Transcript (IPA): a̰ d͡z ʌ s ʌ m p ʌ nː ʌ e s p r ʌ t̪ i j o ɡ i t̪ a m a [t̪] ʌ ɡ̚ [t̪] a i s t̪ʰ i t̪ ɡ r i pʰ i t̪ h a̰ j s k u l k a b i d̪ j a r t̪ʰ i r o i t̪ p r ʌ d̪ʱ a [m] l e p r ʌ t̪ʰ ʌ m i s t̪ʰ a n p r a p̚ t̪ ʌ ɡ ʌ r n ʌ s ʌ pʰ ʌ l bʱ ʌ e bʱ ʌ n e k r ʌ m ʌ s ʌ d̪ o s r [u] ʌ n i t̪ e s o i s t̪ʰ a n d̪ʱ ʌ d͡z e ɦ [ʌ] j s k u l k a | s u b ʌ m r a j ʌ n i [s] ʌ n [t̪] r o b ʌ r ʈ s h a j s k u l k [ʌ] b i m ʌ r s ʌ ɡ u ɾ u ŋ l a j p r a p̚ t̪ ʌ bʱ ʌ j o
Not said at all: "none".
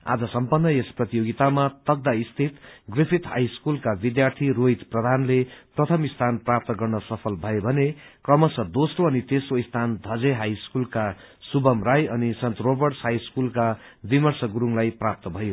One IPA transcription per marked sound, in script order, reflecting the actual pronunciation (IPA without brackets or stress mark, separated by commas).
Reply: t̪, d̪, n, o, a, s, t̪, a